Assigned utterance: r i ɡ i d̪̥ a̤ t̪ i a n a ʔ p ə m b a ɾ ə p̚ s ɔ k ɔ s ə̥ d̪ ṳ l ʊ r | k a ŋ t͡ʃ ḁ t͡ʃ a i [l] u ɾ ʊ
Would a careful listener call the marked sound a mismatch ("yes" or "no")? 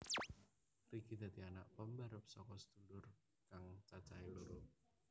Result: no